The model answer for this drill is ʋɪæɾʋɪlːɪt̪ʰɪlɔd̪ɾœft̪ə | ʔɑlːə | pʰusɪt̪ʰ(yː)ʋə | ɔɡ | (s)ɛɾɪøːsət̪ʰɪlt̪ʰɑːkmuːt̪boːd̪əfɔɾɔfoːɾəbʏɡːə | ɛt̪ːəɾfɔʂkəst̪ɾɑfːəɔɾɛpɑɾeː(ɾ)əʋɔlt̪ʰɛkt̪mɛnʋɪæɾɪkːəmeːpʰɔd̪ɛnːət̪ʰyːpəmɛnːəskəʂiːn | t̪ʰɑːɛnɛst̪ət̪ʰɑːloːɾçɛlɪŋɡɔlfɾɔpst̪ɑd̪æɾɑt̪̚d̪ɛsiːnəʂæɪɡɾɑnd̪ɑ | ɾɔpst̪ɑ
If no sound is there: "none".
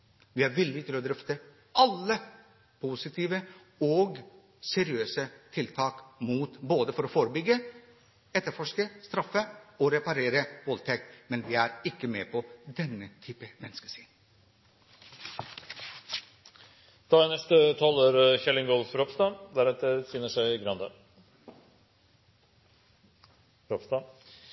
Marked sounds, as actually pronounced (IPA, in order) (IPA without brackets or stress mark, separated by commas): iː, s, ɾ